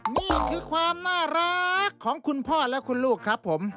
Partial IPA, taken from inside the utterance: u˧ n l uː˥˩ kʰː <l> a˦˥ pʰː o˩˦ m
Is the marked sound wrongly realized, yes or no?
yes